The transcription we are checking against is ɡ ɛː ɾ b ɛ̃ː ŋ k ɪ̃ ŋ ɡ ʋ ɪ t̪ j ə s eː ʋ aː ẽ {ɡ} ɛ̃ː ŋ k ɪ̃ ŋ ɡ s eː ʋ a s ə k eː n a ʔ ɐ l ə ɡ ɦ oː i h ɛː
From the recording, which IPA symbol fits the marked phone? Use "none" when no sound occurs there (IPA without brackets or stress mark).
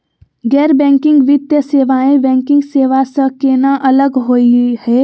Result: b